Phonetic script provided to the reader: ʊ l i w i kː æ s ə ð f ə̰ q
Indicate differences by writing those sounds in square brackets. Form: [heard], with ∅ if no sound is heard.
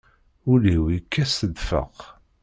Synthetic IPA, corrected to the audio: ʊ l i w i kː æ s ə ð f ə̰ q